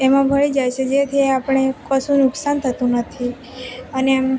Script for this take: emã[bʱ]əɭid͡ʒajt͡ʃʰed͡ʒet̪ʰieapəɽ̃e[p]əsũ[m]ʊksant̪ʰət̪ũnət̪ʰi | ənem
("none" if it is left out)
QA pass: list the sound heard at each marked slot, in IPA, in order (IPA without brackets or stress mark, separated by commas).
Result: bʱ, k, n